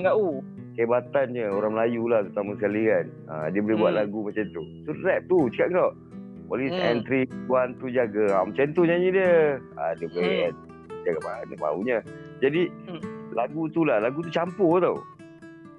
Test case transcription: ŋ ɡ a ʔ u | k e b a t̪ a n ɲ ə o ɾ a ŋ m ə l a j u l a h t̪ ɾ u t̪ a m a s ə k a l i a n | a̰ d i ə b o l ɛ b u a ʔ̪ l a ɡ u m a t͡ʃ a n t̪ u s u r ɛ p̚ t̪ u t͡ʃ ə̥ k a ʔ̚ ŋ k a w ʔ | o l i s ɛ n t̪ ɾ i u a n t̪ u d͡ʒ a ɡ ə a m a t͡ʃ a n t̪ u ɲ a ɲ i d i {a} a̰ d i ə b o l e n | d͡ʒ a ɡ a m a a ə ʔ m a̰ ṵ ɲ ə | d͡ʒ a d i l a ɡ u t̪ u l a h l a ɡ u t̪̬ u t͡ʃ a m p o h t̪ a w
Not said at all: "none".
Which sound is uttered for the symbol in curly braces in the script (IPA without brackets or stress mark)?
ə